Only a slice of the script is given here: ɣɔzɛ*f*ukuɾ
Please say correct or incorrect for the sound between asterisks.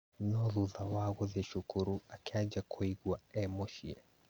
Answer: incorrect